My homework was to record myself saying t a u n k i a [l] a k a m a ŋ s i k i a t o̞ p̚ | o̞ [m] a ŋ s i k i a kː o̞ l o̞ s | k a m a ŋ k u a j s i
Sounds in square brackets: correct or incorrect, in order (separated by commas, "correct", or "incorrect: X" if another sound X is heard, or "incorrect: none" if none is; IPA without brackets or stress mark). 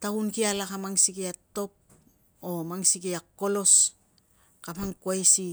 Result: correct, correct